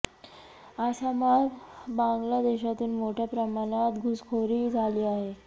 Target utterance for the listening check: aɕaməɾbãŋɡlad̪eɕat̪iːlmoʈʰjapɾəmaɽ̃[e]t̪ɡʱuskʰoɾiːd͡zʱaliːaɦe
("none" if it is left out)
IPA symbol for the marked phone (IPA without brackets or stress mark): a